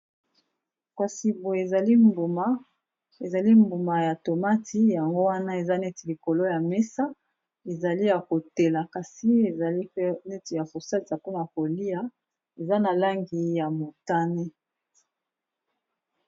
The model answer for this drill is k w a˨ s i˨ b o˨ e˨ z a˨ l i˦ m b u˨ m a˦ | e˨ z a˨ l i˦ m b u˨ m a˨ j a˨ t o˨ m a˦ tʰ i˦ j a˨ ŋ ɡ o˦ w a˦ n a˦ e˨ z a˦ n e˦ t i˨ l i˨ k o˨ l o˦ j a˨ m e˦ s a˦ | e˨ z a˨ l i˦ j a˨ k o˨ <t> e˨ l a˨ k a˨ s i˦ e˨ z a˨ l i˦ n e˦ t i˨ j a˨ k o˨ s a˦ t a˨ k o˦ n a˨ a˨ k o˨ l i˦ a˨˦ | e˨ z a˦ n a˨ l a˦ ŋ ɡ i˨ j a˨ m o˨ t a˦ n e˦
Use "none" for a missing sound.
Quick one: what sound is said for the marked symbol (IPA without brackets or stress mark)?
t